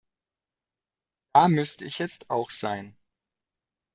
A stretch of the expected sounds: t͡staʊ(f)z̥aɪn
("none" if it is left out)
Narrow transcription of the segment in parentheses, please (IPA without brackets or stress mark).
x